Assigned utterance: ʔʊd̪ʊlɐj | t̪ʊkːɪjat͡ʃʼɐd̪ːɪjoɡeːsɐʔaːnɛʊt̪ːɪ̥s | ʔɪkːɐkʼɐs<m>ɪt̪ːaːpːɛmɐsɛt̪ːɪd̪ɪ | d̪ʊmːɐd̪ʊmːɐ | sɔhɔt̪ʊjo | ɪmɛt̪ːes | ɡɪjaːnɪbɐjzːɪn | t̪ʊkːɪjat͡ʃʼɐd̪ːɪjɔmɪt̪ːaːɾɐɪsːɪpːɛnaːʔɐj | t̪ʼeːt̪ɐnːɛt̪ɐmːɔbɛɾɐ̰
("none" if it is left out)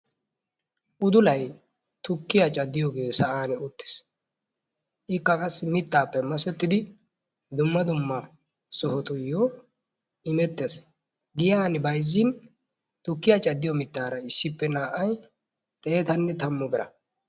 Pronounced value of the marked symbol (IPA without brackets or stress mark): m